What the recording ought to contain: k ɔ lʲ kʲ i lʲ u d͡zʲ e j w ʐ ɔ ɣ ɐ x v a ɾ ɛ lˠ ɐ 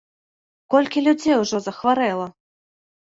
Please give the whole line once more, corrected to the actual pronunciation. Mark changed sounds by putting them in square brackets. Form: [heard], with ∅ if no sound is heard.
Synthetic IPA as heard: k ɔ lʲ kʲ i lʲ u d͡zʲ e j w ʐ ɔ [z] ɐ x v a ɾ ɛ lˠ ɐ